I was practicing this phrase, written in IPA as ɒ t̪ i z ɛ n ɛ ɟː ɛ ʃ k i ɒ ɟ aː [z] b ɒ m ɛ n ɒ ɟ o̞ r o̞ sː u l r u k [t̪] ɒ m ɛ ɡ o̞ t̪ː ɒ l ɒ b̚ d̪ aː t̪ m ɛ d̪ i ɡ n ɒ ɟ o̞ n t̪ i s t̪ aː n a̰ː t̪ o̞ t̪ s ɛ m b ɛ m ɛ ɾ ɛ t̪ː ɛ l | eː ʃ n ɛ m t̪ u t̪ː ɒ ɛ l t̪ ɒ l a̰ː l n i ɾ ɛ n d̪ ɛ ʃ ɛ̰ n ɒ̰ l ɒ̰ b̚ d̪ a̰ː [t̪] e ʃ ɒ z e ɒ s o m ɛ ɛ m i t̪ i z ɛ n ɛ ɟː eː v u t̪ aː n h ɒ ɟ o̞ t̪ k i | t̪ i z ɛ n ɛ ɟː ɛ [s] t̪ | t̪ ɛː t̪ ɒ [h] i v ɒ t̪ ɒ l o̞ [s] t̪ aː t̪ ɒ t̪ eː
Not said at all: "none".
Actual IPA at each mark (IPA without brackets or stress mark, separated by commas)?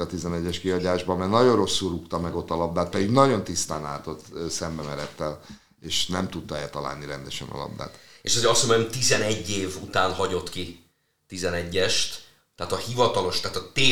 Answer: ʒ, t̪, t̪, ʃ, h, ʃ